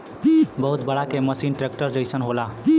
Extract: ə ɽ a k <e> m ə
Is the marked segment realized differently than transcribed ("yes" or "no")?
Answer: no